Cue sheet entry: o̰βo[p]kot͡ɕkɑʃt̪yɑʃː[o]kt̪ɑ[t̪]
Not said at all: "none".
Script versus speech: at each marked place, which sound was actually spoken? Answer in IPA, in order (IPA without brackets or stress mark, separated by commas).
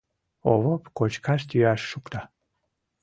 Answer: p, u, none